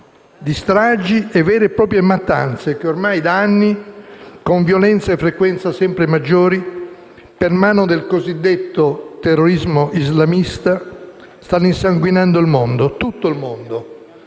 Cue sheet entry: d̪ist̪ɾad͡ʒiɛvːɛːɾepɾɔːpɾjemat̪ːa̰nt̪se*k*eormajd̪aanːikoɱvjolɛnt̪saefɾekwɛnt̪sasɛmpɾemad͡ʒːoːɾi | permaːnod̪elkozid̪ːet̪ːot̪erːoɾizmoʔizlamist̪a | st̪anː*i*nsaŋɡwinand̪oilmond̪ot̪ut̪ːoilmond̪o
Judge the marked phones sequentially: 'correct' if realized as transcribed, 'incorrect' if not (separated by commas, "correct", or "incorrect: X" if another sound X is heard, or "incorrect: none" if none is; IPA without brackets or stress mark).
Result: correct, correct